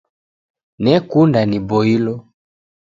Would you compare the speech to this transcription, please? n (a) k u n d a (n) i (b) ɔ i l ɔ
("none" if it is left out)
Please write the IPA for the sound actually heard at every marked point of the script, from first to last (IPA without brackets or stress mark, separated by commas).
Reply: ɛ, n, b